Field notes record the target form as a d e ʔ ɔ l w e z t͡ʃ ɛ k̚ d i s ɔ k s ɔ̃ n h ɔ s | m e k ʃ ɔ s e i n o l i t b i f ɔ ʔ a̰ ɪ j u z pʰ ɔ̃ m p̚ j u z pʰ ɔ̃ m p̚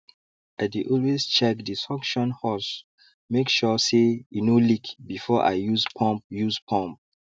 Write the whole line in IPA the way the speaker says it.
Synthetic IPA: a d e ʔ ɔ l w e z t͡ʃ ɛ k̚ d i s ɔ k ʃ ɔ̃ n h ɔ s | m e k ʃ ɔ s e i n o l i k b i f ɔ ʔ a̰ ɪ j u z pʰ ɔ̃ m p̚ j u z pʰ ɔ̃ m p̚